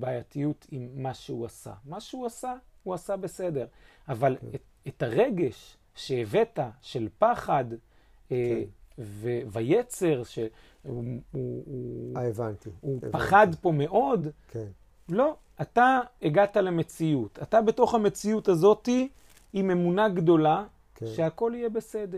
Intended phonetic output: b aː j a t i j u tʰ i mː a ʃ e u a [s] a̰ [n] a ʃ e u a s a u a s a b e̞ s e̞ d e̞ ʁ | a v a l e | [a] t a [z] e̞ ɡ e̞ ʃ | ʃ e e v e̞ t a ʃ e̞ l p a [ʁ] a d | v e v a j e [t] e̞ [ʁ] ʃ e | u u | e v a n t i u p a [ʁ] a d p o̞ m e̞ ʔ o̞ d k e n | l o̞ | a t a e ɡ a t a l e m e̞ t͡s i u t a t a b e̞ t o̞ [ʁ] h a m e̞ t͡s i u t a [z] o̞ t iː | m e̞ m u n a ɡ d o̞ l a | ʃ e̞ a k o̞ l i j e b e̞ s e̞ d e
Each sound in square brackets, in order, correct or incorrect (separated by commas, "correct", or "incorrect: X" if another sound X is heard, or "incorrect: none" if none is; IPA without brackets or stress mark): correct, incorrect: m, incorrect: e, incorrect: ʁ, incorrect: χ, incorrect: t͡s, correct, incorrect: χ, incorrect: χ, correct